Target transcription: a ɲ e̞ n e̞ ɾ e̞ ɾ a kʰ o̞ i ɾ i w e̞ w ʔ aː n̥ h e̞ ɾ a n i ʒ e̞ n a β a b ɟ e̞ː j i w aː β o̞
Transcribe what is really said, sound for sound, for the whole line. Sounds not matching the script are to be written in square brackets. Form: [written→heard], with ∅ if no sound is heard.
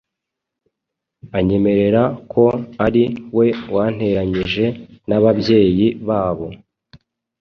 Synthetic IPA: a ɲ e̞ [n→m] e̞ ɾ e̞ ɾ a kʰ o̞ [i→a] ɾ i w e̞ w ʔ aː n̥ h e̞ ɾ a [n→ɲ] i ʒ e̞ n a β a b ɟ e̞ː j i [w→β] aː β o̞